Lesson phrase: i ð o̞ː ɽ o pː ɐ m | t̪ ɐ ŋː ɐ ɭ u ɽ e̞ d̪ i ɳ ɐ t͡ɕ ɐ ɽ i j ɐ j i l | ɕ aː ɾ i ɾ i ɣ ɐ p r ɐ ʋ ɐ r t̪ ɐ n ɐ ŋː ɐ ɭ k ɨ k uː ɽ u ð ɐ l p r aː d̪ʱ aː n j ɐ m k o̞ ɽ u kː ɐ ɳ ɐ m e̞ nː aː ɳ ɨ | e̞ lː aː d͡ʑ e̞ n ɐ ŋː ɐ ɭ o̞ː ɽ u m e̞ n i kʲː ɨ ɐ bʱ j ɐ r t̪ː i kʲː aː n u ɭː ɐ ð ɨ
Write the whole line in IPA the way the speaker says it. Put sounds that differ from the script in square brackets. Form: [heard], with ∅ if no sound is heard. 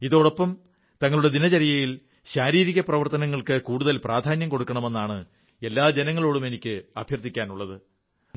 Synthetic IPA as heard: i ð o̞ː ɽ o pː ɐ m | t̪ ɐ ŋː ɐ ɭ u ɽ e̞ d̪ i [n] ɐ t͡ɕ ɐ [ɾ] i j ɐ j i l | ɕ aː ɾ [iː] ɾ i ɣ ɐ p r ɐ ʋ ɐ r t̪ ɐ n ɐ ŋː ɐ ɭ k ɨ k uː ɽ u ð ɐ l p r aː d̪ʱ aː n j ɐ m k o̞ ɽ u kː ɐ ɳ ɐ m e̞ nː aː ɳ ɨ | e̞ lː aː d͡ʑ e̞ n ɐ ŋː ɐ ɭ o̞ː ɽ u m e̞ n i kʲː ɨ ɐ bʱ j ɐ r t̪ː i kʲː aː n u ɭː ɐ ð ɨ